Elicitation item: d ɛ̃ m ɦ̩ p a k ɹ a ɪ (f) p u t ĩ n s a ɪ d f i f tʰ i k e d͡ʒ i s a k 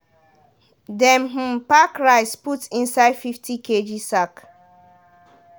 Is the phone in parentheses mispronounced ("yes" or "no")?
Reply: yes